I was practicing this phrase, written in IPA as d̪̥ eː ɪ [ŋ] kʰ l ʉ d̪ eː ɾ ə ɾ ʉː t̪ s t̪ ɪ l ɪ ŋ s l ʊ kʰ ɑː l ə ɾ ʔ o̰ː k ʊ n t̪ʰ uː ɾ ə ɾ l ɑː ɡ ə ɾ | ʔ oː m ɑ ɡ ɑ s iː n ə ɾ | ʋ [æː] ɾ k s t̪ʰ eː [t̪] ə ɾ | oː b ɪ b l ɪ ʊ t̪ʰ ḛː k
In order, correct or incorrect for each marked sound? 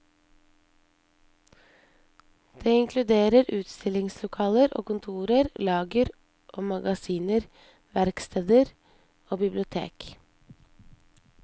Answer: correct, incorrect, incorrect

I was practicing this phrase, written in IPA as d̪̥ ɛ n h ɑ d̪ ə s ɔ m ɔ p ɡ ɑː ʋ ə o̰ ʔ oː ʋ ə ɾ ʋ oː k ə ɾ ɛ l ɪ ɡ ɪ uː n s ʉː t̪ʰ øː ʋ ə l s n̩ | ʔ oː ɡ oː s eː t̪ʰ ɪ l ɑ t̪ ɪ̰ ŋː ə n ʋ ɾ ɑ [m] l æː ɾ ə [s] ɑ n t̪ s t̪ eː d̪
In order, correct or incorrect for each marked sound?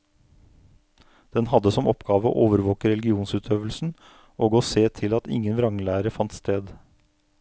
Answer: incorrect, incorrect

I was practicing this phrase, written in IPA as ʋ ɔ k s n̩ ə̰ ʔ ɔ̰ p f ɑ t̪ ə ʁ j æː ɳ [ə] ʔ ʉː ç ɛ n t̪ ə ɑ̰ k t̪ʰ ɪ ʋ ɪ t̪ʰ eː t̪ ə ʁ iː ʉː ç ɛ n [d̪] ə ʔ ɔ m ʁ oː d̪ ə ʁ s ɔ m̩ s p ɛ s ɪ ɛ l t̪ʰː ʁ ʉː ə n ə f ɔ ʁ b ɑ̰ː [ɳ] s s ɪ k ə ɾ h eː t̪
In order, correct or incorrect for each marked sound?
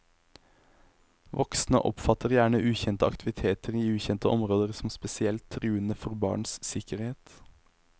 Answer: correct, incorrect, correct

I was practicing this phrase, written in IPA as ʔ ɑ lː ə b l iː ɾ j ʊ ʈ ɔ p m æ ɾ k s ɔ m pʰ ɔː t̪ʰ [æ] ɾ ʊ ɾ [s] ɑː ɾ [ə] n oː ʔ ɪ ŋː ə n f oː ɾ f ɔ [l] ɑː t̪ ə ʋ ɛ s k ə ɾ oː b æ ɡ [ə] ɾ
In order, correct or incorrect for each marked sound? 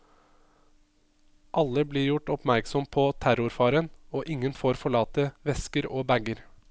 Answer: correct, incorrect, correct, incorrect, correct

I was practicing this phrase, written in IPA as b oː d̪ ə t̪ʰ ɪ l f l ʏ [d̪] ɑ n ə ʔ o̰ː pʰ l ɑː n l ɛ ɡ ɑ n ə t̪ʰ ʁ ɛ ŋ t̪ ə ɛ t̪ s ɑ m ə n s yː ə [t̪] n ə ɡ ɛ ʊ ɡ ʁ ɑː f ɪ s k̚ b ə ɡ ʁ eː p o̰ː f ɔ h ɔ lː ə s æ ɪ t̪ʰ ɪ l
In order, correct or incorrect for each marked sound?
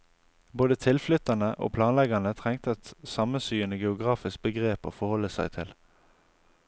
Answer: incorrect, incorrect

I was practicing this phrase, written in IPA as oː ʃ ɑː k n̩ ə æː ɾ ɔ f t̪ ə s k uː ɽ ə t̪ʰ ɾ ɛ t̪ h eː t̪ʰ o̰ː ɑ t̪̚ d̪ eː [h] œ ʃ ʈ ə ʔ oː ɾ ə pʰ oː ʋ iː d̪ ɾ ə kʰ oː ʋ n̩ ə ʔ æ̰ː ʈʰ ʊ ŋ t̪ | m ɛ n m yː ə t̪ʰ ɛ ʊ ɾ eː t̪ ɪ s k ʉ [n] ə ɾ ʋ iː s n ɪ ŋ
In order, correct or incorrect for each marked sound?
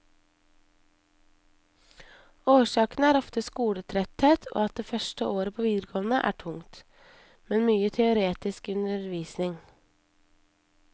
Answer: incorrect, correct

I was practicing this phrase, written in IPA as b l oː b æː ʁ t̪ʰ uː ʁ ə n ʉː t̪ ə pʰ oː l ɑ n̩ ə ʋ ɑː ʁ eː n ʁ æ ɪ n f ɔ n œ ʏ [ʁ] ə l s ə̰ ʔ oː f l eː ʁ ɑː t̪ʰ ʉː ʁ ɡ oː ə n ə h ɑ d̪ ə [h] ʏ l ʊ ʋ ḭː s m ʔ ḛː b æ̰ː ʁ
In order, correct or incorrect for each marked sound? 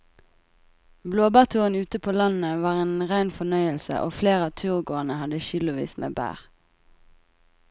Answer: incorrect, incorrect

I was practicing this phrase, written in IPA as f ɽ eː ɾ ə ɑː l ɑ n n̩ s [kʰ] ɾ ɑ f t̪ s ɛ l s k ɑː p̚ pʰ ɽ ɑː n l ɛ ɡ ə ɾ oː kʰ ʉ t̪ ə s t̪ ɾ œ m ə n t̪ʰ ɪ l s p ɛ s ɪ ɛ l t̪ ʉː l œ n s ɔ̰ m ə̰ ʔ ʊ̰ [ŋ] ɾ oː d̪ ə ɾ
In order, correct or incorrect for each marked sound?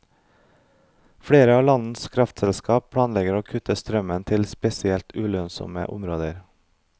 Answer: correct, incorrect

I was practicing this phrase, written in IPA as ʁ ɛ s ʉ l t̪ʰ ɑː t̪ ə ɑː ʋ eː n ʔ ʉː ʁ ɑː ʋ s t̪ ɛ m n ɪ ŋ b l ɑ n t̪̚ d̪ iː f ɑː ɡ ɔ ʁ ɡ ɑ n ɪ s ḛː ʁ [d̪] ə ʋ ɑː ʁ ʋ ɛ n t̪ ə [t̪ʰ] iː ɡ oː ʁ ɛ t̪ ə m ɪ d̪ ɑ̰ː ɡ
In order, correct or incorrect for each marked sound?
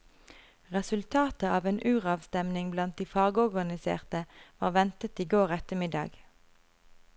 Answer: incorrect, incorrect

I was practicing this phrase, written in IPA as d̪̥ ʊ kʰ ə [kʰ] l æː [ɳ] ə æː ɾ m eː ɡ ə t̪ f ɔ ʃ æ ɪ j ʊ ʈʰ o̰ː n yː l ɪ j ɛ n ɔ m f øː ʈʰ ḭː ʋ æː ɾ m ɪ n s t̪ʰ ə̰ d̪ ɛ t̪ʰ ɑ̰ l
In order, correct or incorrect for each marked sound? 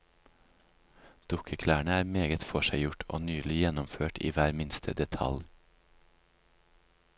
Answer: correct, correct

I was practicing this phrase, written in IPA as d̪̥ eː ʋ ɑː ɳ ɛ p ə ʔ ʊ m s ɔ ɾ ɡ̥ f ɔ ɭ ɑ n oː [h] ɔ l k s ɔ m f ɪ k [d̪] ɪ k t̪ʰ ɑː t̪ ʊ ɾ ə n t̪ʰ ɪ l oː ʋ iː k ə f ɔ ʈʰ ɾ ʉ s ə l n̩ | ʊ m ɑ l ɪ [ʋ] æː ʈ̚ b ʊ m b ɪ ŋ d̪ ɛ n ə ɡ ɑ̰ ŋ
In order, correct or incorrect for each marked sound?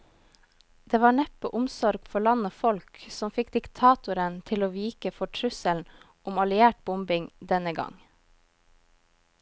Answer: incorrect, correct, incorrect

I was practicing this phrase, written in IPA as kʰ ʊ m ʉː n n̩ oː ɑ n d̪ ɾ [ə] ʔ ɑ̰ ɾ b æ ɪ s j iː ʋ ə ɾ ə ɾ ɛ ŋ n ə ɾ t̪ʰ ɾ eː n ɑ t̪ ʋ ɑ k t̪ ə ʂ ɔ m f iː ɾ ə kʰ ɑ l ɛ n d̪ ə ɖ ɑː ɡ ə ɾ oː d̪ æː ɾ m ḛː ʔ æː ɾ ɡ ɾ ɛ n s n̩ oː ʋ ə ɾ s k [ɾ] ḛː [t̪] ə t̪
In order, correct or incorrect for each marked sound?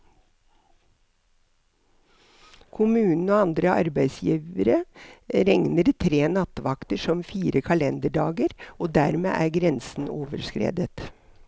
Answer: correct, correct, incorrect

